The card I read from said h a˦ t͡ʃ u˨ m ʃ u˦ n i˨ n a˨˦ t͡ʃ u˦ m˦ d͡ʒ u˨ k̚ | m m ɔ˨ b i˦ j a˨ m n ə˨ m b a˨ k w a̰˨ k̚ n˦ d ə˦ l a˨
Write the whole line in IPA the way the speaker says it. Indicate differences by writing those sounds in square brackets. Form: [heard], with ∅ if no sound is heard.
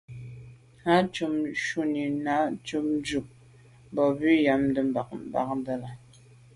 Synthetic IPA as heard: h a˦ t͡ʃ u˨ m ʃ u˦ n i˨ n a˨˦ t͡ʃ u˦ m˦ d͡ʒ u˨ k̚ | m [b] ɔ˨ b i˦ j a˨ m [d] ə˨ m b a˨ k [b] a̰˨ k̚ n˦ d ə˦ l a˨